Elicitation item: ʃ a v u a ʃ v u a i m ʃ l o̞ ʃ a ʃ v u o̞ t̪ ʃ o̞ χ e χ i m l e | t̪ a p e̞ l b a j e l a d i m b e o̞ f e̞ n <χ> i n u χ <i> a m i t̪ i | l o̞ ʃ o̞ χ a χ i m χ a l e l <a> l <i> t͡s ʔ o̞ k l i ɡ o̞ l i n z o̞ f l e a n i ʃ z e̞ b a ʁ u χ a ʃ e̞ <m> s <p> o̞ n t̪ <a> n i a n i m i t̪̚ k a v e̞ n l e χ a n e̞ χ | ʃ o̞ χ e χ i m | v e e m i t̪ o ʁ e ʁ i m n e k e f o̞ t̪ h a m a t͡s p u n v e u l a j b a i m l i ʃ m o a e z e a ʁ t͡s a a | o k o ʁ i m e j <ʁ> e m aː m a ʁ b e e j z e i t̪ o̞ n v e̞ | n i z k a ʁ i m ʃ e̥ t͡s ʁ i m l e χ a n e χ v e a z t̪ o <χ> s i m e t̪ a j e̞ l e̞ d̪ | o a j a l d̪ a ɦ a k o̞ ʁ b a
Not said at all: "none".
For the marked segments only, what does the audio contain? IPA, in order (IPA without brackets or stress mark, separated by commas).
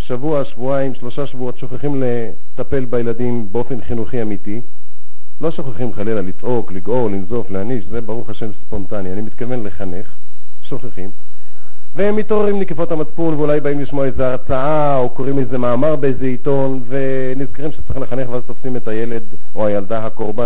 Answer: χ, i, a, i, m, p, a, z, f